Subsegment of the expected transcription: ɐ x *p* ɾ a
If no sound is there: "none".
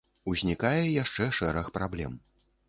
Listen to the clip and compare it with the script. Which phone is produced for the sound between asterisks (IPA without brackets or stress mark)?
p